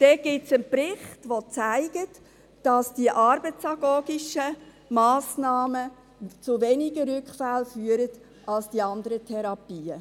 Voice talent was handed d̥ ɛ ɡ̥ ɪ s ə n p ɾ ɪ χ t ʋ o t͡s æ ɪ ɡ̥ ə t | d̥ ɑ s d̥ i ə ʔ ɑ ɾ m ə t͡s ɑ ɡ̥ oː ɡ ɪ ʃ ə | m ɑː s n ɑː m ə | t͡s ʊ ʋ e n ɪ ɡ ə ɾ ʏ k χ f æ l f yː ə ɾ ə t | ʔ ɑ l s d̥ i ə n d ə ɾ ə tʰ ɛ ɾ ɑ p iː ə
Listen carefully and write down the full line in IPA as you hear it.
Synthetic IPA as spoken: d̥ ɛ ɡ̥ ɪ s ə n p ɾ ɪ χ t ʋ o t͡s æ ɪ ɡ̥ ə t | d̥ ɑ s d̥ i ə ʔ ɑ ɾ b ə t͡s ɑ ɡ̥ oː ɡ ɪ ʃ ə | m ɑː s n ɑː m ə | t͡s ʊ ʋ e n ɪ ɡ ə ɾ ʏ k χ f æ l f yː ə ɾ ə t | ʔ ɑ l s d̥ i ɑ n d ə ɾ ə tʰ ɛ ɾ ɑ p iː ə